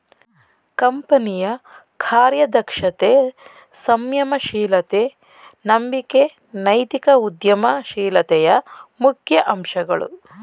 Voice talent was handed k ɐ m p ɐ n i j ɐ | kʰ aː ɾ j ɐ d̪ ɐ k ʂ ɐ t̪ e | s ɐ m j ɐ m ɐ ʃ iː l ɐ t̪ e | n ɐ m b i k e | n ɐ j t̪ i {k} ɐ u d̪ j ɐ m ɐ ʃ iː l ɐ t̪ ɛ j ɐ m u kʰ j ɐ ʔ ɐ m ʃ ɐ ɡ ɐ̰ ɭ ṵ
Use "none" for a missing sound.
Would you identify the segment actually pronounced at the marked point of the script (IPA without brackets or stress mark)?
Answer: k